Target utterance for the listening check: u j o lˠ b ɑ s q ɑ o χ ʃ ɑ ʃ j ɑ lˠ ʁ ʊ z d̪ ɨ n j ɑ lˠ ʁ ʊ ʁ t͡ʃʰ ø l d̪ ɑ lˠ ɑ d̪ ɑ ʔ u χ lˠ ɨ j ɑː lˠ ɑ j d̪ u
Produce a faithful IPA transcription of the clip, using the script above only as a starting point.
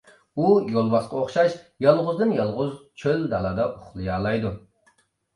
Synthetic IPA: u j o lˠ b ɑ s q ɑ o χ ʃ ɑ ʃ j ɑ lˠ ʁ ʊ z d̪ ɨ n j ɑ lˠ ʁ ʊ z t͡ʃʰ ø l d̪ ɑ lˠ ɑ d̪ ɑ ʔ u χ lˠ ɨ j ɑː lˠ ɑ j d̪ u